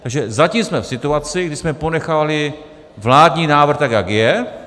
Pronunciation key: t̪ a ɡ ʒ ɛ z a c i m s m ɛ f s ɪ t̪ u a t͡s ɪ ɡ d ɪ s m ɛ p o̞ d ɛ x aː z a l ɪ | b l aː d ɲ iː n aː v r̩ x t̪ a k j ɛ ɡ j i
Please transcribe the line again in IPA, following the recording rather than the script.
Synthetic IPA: t̪ a ɡ ʒ ɛ z a c i m s m ɛ f s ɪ t̪ u a t͡s ɪ ɡ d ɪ s m ɛ p o̞ n ɛ x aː v a l ɪ | v l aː d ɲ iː n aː v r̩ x t̪ a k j a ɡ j ɛ